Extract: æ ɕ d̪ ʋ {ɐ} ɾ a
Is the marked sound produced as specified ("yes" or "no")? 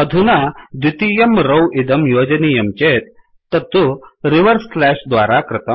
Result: no